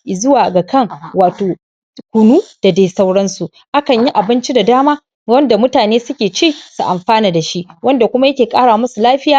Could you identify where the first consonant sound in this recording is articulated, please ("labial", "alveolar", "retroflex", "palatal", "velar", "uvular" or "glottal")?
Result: alveolar